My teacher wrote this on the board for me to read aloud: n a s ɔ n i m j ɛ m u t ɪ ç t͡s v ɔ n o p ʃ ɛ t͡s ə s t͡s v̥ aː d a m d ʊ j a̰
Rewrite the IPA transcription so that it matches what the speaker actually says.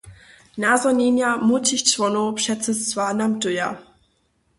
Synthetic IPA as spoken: n a z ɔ n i n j a m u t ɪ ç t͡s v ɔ n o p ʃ ɛ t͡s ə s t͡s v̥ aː n a m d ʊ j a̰